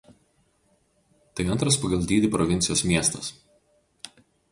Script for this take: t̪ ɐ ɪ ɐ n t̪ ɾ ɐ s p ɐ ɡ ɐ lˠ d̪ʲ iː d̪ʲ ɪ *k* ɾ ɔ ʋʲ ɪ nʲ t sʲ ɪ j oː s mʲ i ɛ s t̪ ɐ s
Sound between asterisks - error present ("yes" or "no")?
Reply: yes